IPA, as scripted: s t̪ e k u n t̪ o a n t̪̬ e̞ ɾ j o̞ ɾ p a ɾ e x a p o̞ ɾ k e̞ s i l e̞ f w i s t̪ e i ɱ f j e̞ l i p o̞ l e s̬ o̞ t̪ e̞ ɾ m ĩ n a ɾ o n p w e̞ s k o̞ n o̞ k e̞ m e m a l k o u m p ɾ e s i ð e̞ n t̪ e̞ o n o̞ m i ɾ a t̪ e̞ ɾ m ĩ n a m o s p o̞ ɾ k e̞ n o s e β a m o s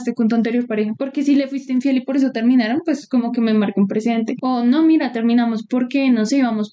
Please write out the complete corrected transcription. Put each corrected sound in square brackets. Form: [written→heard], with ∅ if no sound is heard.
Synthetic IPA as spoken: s t̪ e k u n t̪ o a n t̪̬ e̞ ɾ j o̞ ɾ p a ɾ e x a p o̞ ɾ k e̞ s i l e̞ f w i s t̪ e i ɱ f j e̞ l i p o̞ [l→ɾ] e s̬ o̞ t̪ e̞ ɾ m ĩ n a ɾ o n p w e̞ s k o̞ [n→m] o̞ k e̞ m e m a [l→ɾ] k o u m p ɾ e s i ð e̞ n t̪ e̞ o n o̞ m i ɾ a t̪ e̞ ɾ m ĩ n a m o s p o̞ ɾ k e̞ n o s e β a m o s